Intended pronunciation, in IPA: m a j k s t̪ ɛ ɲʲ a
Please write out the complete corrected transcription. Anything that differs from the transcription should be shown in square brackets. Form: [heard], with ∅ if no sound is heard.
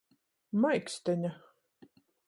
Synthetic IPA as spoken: m a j k s t̪ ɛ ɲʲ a